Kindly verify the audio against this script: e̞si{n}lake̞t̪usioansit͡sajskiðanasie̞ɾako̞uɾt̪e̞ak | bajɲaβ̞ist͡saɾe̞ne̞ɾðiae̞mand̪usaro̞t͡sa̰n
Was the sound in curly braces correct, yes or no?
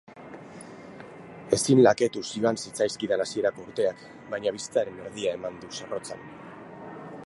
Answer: yes